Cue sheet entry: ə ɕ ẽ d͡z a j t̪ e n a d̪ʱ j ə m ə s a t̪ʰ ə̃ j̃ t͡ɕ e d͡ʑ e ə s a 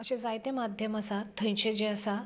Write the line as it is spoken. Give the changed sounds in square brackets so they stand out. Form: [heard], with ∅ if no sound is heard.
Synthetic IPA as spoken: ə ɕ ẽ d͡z a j t̪ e [m] a d̪ʱ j ə m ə s a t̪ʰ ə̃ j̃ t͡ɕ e d͡ʑ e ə s a